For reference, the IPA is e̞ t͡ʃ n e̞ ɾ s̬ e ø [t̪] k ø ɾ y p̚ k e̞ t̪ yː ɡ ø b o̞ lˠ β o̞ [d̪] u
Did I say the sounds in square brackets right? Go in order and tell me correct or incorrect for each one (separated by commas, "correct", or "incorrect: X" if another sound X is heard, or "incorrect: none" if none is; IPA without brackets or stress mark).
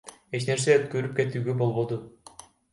correct, correct